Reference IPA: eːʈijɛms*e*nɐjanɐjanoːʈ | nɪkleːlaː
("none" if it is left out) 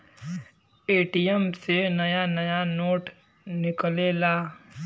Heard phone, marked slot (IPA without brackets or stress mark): e